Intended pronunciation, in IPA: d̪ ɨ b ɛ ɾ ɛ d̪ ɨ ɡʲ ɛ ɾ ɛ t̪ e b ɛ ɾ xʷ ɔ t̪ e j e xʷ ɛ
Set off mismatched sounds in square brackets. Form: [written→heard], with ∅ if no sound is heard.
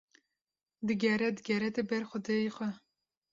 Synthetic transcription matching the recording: d̪ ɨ [b→ɡ] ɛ ɾ ɛ d̪ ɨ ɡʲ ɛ ɾ ɛ t̪ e b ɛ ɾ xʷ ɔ [t̪→d̪] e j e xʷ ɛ